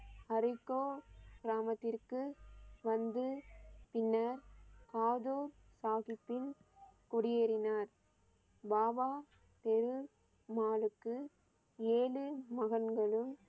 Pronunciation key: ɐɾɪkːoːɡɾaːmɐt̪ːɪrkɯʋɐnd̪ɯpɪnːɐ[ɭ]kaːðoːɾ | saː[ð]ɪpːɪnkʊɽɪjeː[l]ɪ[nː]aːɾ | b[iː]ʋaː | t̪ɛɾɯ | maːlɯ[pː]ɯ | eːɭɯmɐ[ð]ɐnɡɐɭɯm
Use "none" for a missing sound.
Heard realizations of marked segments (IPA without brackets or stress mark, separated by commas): ɾ, ɣ, ɾ, n, aː, kː, ɣ